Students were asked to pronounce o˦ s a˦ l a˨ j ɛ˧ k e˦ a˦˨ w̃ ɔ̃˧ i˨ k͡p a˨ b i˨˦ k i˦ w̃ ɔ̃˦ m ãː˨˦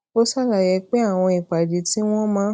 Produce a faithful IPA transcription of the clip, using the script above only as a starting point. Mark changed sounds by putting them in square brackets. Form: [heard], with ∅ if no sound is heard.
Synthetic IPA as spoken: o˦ s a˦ l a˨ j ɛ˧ [k͡p] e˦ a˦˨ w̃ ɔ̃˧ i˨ k͡p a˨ [d] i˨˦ [t] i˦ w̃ ɔ̃˦ m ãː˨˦